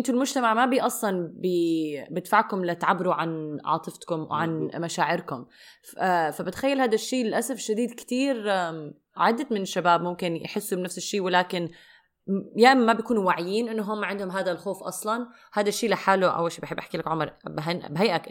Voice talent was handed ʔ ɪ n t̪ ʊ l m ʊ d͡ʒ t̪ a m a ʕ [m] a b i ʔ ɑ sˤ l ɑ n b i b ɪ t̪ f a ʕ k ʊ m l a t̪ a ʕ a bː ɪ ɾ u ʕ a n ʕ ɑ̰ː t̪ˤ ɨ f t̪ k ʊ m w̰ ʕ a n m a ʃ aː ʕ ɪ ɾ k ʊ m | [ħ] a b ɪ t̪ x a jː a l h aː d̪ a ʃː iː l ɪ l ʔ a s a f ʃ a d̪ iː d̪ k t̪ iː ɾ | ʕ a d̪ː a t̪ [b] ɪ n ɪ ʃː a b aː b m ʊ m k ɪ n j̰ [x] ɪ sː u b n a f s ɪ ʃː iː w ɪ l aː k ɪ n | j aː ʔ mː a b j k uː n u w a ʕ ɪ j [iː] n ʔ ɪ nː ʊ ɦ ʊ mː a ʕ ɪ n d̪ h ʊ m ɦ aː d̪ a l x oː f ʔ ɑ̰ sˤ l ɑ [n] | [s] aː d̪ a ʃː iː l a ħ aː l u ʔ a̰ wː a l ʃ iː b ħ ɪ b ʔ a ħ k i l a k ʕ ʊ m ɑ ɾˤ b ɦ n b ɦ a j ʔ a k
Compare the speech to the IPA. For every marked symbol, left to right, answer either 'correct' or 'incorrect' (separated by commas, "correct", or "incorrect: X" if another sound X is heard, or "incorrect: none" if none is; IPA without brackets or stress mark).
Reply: correct, incorrect: f, incorrect: m, incorrect: ħ, correct, correct, incorrect: h